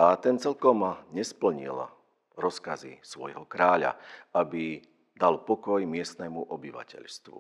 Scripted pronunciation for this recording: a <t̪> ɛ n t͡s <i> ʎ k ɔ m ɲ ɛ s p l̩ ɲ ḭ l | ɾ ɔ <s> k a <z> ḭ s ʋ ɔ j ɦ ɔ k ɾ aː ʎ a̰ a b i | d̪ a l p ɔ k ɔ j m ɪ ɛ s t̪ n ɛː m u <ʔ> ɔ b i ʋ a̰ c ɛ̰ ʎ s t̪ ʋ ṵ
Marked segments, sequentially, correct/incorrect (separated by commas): correct, incorrect, correct, correct, correct